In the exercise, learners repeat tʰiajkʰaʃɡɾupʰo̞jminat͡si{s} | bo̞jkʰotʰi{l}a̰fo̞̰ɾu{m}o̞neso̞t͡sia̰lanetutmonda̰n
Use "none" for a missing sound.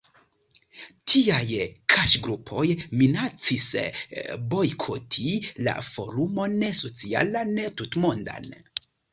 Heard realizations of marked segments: s, l, m

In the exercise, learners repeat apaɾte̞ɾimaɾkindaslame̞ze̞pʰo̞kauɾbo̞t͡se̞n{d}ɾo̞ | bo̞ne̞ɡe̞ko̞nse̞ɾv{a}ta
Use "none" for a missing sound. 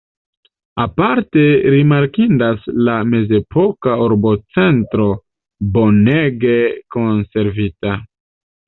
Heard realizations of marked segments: t, i

